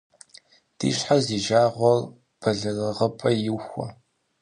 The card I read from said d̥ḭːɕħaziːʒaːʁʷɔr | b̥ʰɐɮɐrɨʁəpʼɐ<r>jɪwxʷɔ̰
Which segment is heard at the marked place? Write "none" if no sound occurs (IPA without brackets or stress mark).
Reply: none